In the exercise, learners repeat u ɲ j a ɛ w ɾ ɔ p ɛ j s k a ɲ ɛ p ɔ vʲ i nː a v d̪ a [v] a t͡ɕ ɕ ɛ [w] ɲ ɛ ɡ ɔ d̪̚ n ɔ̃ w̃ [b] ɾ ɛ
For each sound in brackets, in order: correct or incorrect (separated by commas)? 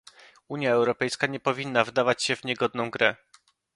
correct, incorrect, incorrect